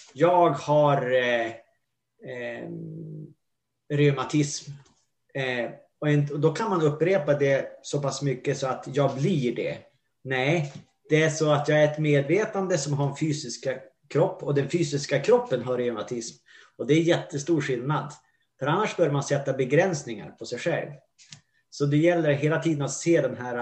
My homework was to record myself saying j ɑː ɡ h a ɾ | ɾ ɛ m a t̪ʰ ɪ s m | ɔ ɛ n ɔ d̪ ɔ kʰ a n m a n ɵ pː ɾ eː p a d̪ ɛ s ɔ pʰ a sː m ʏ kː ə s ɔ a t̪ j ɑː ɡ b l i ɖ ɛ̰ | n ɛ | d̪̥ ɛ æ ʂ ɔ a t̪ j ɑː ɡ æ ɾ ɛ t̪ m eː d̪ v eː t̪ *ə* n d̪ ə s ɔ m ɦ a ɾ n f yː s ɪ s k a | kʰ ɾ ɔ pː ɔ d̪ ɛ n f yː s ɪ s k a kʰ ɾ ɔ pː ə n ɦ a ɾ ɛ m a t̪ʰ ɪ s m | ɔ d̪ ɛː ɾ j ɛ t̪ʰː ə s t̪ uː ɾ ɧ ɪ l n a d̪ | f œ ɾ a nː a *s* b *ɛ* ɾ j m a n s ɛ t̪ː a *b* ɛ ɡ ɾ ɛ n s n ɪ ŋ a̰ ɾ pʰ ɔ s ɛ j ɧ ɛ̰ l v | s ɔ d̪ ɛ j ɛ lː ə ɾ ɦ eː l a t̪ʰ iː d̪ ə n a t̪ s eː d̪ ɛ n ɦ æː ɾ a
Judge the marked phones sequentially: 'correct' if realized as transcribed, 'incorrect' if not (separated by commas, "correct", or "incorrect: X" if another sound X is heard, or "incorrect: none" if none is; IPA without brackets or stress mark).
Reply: incorrect: a, incorrect: ʂ, incorrect: œ, correct